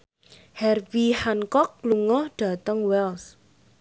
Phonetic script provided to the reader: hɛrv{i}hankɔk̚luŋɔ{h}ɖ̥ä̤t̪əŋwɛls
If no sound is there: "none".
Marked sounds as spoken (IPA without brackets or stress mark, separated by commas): i, h